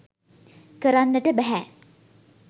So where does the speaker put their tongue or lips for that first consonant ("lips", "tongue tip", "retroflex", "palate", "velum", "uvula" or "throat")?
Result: velum